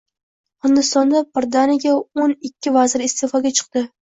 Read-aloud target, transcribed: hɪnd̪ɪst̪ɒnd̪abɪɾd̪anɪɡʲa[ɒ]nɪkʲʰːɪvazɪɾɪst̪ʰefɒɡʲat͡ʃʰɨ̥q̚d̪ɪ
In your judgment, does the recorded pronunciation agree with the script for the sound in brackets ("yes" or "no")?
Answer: no